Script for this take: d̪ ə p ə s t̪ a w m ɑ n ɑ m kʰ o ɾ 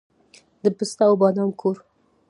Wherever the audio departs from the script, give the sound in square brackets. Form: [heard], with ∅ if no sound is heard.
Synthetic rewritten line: d̪ ə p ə s t̪ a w [b] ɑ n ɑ m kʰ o ɾ